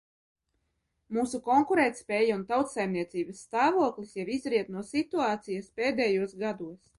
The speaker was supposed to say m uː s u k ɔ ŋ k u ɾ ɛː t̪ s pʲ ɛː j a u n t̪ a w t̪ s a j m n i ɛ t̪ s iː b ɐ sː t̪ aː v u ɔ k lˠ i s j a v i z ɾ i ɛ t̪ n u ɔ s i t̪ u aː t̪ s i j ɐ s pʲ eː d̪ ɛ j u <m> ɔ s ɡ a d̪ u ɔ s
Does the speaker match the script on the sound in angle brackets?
no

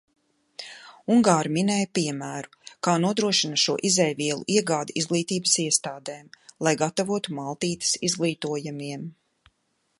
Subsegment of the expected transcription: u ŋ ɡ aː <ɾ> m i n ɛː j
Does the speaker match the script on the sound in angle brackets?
yes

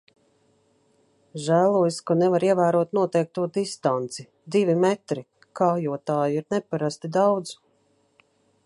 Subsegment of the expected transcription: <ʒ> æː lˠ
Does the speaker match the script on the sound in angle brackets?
yes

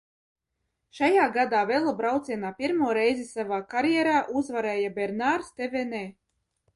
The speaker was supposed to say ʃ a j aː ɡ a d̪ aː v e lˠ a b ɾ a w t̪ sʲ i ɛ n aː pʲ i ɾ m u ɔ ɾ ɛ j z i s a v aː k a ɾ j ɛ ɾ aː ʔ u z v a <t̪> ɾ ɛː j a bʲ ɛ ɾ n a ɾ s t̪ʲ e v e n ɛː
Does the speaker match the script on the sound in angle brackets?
no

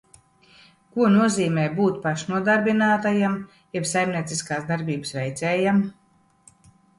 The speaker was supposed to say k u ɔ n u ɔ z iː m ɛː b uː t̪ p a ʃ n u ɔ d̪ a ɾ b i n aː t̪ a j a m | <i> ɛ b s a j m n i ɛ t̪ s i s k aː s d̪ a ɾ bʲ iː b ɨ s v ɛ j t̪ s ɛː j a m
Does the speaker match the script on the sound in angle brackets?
no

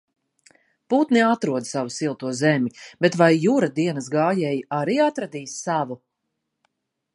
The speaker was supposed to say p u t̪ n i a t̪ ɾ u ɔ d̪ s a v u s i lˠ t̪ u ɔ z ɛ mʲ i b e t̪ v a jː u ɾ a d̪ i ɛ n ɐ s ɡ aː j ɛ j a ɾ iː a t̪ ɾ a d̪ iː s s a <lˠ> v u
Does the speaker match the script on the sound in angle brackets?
no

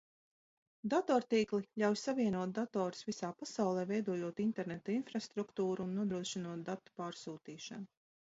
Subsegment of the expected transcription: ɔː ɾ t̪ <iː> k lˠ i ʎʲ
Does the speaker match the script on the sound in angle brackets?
yes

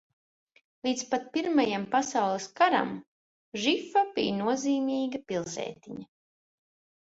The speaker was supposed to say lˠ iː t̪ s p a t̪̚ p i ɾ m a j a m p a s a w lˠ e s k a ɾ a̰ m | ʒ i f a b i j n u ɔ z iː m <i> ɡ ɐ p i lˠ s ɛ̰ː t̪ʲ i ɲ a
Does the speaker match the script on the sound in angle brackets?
no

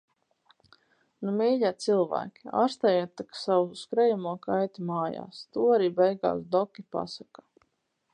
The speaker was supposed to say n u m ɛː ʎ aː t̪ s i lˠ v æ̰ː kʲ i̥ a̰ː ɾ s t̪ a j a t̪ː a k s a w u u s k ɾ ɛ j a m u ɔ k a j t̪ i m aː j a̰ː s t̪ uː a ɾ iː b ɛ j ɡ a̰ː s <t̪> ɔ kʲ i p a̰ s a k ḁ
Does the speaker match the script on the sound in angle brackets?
no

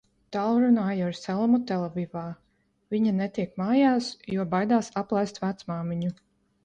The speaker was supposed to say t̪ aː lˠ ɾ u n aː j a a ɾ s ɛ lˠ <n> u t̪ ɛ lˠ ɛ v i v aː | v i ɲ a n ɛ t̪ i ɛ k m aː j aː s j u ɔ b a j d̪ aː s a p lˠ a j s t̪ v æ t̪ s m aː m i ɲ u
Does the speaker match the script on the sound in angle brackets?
no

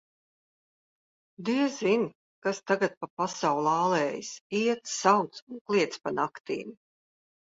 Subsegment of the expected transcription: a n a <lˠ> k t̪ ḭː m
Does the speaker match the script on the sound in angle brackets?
no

